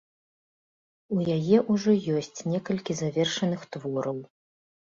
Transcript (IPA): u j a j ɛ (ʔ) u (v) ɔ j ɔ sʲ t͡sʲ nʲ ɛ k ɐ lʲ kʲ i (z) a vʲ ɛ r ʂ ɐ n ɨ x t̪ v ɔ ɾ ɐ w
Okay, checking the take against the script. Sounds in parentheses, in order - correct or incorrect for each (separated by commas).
correct, incorrect, correct